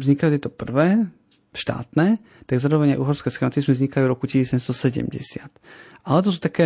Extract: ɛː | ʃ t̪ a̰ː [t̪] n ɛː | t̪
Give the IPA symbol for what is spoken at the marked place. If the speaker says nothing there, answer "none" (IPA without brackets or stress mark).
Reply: t̪